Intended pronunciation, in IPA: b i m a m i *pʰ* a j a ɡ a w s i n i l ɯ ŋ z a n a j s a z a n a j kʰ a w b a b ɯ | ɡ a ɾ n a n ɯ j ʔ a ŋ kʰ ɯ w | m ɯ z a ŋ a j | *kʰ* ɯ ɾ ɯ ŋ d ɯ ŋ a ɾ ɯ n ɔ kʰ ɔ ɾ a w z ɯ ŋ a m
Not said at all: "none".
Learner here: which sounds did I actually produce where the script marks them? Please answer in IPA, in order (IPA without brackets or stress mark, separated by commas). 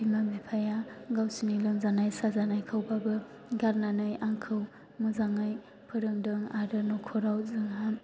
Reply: pʰ, pʰ